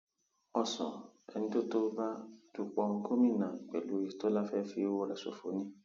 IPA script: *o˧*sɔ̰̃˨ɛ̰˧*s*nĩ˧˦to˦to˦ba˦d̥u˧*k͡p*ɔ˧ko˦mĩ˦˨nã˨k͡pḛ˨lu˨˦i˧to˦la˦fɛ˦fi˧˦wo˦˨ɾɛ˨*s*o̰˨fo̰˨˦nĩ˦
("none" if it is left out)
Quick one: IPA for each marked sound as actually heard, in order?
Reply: ɔ˧, none, k͡p, s

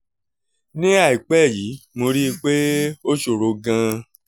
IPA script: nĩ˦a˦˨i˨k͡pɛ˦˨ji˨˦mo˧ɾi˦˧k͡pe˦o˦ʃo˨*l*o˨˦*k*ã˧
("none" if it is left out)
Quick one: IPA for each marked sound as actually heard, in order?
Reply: ɾ, ɡ

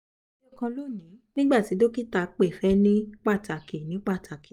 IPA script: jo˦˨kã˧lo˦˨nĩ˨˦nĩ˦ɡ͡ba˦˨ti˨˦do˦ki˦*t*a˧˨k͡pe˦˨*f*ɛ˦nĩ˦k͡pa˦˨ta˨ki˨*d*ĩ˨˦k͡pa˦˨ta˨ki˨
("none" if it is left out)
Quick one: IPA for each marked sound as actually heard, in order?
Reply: t, f, n

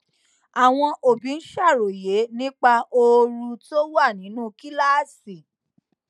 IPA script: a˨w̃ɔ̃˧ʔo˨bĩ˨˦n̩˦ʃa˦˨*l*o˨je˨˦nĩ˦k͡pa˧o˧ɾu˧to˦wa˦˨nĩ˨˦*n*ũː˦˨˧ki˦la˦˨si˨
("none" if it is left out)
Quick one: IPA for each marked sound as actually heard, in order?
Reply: ɾ, n

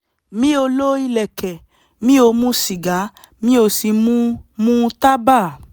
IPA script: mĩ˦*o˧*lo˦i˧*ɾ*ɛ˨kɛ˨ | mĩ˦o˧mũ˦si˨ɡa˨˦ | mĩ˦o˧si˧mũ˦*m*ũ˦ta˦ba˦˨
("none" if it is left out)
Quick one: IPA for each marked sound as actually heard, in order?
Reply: o˧, l, m

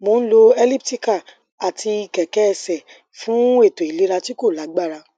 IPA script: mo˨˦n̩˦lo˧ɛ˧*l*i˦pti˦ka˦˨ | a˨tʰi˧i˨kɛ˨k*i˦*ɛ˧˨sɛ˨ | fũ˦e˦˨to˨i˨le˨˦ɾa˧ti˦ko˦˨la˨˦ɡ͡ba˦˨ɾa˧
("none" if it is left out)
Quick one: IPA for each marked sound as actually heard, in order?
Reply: l, ɛ˦

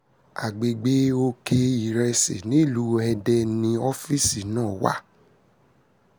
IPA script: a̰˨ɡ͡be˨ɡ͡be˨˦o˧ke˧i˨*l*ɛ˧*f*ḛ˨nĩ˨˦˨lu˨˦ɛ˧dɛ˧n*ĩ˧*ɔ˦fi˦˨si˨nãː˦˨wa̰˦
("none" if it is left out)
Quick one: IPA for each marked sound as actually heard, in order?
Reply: ɾ, s, ĩ˧

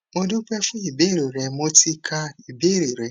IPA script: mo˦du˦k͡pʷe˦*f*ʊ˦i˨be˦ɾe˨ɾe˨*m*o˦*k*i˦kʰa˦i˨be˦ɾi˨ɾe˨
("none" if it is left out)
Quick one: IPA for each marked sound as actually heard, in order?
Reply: f, m, t

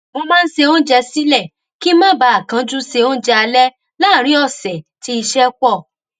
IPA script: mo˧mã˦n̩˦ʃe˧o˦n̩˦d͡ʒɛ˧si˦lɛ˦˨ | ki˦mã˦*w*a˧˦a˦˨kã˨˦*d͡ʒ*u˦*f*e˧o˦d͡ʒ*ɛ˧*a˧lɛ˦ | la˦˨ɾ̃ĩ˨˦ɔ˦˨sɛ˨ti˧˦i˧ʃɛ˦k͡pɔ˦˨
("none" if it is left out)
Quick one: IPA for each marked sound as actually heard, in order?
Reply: b, d͡ʒ, s, ɛ˧

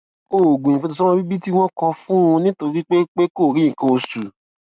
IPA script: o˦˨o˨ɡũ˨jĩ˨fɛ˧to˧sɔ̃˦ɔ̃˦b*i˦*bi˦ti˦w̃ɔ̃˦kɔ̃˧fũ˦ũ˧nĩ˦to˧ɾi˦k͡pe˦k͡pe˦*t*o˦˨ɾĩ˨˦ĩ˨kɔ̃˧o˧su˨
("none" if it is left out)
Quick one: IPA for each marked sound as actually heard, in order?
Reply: i˦, k

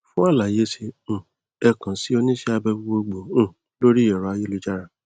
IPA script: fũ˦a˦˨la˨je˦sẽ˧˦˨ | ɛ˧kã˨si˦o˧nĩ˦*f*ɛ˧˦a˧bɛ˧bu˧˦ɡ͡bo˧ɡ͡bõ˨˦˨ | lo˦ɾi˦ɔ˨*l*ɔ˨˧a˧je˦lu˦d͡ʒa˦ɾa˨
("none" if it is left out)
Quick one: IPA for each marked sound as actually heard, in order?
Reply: ʃ, ɾ

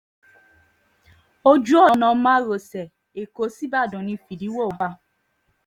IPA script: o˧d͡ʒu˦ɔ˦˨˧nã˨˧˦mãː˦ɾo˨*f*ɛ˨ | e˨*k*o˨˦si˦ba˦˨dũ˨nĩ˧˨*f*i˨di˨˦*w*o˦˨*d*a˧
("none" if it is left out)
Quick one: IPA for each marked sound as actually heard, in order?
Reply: s, k, f, w, b

